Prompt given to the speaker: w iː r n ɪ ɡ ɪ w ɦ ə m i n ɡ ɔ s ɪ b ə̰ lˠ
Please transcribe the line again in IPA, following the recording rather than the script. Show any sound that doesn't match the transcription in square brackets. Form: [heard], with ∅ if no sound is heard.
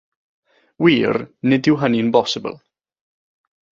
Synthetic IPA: w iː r n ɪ [d] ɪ w ɦ ə [n] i n [b] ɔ s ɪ b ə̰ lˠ